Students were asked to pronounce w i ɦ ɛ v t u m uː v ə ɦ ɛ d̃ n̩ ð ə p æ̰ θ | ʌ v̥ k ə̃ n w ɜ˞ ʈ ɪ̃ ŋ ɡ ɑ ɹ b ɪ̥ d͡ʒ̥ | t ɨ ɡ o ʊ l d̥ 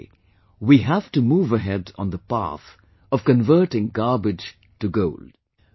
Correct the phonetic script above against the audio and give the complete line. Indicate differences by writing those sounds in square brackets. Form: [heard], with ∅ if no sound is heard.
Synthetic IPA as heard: w i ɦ [æ] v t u m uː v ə ɦ ɛ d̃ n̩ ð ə p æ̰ θ | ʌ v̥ k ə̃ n [v] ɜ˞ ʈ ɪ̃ ŋ ɡ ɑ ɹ b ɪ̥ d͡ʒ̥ | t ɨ ɡ o ʊ l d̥

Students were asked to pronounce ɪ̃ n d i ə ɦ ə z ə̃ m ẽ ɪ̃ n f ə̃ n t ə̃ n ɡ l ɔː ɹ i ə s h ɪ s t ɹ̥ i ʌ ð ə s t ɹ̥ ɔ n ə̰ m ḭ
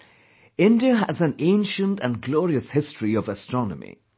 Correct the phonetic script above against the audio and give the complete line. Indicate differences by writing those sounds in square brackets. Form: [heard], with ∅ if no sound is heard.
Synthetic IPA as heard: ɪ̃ n d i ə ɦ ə z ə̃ [n] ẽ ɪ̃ n [ʃ] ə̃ n t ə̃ n ɡ l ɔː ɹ i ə s h ɪ s t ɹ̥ i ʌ [v] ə s t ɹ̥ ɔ n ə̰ m ḭ

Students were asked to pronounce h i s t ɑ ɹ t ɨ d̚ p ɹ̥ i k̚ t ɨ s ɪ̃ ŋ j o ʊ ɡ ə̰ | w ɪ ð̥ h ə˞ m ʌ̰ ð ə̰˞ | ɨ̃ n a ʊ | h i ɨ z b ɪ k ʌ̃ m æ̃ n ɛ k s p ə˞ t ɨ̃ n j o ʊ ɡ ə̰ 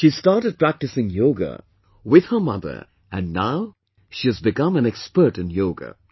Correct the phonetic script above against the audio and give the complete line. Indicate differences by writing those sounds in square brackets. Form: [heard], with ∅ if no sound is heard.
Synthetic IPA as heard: [ʃ] i s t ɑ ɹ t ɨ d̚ p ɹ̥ [æ] k̚ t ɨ s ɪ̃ ŋ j o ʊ ɡ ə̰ | w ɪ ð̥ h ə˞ m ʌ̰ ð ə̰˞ | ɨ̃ [nː] a ʊ | [ʃ] i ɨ z b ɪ k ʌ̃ m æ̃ n ɛ k s p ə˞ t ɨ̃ n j o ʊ ɡ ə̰

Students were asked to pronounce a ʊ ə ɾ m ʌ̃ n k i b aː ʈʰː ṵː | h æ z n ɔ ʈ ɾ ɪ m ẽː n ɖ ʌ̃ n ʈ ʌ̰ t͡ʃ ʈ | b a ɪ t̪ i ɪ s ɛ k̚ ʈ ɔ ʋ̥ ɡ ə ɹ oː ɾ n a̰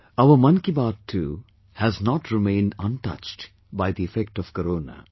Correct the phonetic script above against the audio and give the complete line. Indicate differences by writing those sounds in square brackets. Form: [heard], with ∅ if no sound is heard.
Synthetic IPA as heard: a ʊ ə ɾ m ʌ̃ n k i b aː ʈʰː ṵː | h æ z n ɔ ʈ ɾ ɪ m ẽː n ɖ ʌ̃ n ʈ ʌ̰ t͡ʃ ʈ | b a ɪ [d̪] i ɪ [f] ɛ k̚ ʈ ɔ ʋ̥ [k] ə [ɾ] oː [∅] n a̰

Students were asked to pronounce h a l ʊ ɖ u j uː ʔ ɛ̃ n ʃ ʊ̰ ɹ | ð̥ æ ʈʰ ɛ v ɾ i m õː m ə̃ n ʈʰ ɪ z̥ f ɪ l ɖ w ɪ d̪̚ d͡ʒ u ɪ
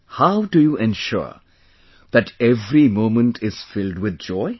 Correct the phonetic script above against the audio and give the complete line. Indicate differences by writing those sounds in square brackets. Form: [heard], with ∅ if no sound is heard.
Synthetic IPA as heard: h a [∅] ʊ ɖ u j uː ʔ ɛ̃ n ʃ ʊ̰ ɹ | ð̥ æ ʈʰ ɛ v ɾ i m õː m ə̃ n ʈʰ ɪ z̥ f ɪ l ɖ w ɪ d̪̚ d͡ʒ [ɔ] ɪ

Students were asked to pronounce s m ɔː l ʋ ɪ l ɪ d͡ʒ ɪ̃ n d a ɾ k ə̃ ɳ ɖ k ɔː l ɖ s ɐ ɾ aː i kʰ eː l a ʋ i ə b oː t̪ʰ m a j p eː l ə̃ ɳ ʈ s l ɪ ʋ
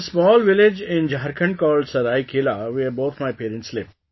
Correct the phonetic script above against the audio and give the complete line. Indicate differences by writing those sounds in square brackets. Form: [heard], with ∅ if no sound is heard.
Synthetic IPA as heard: s m ɔː l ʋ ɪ l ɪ d͡ʒ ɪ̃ n [d͡ʒ] a ɾ k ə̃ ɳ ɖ k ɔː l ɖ s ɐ ɾ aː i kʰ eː l a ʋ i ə b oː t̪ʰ m a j p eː [ɾ] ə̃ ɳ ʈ s l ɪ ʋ

